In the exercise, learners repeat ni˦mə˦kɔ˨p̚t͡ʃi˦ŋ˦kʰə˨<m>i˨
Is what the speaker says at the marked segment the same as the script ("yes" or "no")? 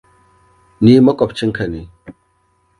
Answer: no